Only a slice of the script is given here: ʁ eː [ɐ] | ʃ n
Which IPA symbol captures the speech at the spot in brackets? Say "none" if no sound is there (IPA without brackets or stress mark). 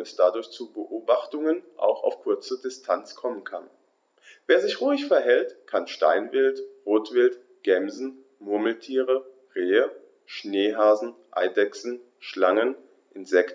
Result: ə